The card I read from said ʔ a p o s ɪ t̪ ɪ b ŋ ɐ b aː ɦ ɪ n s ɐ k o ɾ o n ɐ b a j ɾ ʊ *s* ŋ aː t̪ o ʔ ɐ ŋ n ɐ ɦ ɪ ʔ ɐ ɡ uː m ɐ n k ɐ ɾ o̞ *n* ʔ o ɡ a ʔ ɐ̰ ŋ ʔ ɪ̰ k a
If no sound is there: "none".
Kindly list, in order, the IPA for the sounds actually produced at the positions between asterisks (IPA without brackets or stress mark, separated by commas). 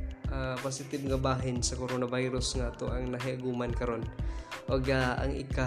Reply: s, n